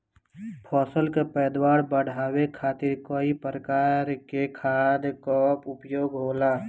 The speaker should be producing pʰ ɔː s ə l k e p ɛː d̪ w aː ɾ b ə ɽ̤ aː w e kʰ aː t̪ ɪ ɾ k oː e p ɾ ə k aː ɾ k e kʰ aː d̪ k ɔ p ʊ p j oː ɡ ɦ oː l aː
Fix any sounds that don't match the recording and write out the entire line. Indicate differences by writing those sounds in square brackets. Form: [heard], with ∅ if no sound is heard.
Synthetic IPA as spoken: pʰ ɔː s ə l k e p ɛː d̪ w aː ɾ b ə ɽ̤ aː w e kʰ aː t̪ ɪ ɾ k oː [i] p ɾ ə k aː ɾ k e kʰ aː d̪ k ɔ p ʊ p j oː ɡ ɦ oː l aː